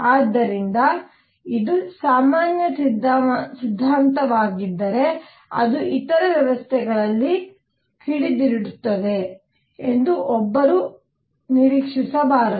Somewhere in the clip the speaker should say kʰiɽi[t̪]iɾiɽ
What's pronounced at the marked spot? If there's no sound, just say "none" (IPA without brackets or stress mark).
d̪